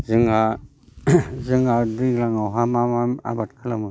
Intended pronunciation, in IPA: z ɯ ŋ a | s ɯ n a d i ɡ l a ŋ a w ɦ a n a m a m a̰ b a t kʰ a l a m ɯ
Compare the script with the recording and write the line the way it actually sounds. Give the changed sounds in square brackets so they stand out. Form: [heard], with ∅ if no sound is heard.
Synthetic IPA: z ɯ ŋ a | [z] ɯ [ŋ] a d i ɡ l a ŋ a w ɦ a [m] a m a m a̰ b a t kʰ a l a m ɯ